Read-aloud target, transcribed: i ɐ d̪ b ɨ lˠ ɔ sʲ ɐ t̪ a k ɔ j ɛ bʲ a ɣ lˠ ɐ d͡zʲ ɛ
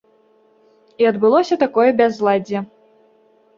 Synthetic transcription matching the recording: i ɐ d̪ b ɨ lˠ ɔ sʲ ɐ t̪ a k ɔ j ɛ bʲ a z lˠ a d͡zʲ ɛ

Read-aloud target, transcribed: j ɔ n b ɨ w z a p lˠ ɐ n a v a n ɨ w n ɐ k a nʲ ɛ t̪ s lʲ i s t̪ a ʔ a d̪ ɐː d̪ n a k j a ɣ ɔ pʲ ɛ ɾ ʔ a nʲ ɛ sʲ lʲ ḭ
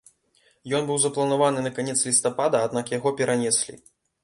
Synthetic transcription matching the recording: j ɔ n b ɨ w z ɐ p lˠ ɐ n a v a n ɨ n ɐ k a nʲ ɛ t̪ s lʲ i s t̪ a p a d̪ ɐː d̪ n a k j a ɣ ɔ pʲ ɛ ɾ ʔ a nʲ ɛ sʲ lʲ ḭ

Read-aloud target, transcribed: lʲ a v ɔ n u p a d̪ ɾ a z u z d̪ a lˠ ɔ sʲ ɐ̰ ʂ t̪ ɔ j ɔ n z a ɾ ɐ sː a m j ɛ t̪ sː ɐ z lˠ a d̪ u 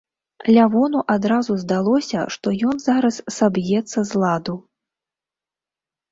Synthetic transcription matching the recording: lʲ a v ɔ n u ʔ a d̪ ɾ a z u z d̪ a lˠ ɔ sʲ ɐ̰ ʂ t̪ ɔ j ɔ n z a ɾ ɐ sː a b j ɛ t̪ sː ɐ z lˠ a d̪ u

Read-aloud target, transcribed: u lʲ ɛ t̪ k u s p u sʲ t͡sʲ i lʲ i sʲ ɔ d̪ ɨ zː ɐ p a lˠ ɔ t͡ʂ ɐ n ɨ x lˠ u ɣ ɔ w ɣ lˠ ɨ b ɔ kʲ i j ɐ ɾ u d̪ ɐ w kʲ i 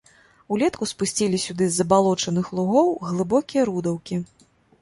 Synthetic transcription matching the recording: u lʲ ɛ t̪ k u s p u sʲ t͡sʲ i lʲ i sʲ u d̪ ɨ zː ɐ b a lˠ ɔ t͡ʂ ɐ n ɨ x lˠ u ɣ ɔ w ɣ lˠ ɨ b ɔ kʲ i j ɐ ɾ u d̪ ɐ w kʲ i

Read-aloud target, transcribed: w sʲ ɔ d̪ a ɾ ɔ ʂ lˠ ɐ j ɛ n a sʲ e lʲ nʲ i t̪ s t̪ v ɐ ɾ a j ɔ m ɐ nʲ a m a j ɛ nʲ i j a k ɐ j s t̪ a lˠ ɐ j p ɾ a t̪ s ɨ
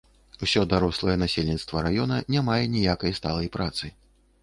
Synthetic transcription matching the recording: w sʲ ɔ d̪ a ɾ ɔ s lˠ ɐ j ɛ n a sʲ e lʲ nʲ i t̪ s t̪ v ɐ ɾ a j ɔ n ɐ nʲ a m a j ɛ nʲ i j a k ɐ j s t̪ a lˠ ɐ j p ɾ a t̪ s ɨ

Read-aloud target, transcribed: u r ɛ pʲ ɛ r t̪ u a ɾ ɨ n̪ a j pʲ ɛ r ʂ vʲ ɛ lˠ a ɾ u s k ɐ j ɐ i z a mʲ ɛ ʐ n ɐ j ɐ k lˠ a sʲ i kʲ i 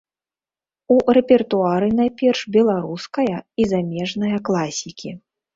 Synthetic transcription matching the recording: u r ɛ pʲ ɛ r t̪ u a ɾ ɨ n̪ a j pʲ ɛ r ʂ bʲ ɛ lˠ a ɾ u s k ɐ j ɐ i z a mʲ ɛ ʐ n ɐ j ɐ k lˠ a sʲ i kʲ i

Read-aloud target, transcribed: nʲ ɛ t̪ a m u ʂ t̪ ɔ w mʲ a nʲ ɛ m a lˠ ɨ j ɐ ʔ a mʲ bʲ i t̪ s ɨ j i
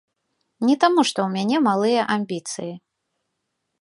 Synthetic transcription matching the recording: nʲ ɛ t̪ a m u ʂ t̪ ɔ w mʲ a nʲ ɛ m a lˠ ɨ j ɐ ʔ a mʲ bʲ i t̪ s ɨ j i

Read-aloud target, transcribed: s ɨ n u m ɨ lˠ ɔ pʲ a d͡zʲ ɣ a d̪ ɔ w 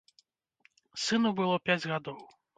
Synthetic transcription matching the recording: s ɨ n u b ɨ lˠ ɔ pʲ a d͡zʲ ɣ a d̪ ɔ w

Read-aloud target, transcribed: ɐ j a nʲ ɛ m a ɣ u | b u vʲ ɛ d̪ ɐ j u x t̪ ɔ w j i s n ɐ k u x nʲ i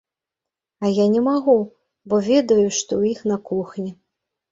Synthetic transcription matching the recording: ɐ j a nʲ ɛ m a ɣ u | b ɔ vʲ ɛ d̪ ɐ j u ʂ t̪ ɔ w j i x n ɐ k u x nʲ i

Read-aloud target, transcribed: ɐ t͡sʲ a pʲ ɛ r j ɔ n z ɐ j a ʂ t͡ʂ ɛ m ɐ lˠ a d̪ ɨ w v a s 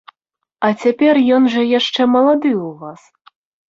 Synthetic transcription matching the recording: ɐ t͡sʲ a pʲ ɛ r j ɔ n ʐ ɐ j a ʂ t͡ʂ ɛ m ɐ lˠ a d̪ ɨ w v a s

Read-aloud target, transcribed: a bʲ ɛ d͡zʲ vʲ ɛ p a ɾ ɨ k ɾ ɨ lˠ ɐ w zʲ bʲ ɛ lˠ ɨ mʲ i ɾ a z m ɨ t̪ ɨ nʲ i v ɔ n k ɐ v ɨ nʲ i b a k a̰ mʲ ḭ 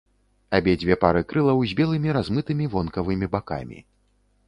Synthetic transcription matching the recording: a bʲ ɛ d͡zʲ vʲ ɛ p a ɾ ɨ k ɾ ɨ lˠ ɐ w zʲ bʲ ɛ lˠ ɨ mʲ i ɾ a z m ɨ t̪ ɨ mʲ i v ɔ n k ɐ v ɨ mʲ i b a k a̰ mʲ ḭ

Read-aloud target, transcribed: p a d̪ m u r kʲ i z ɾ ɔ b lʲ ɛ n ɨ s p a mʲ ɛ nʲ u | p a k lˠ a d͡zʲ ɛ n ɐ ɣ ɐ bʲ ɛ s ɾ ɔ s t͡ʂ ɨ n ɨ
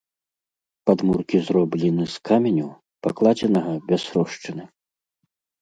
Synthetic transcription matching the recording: p a d̪ m u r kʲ i z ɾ ɔ b lʲ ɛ n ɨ s k a mʲ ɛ nʲ u | p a k lˠ a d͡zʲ ɛ n ɐ ɣ ɐ bʲ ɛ s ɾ ɔ ʂ t͡ʂ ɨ n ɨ

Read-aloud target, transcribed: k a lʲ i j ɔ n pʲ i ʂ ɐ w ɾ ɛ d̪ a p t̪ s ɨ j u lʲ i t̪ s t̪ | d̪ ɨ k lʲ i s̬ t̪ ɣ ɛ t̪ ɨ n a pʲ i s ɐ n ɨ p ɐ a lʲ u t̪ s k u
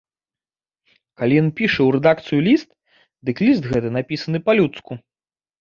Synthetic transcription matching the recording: k a lʲ i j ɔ n pʲ i ʂ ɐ w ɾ ɛ d̪ a k t̪ s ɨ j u lʲ i s t̪ | d̪ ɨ k lʲ i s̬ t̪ ɣ ɛ t̪ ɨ n a pʲ i s ɐ n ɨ p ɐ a lʲ u t̪ s k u

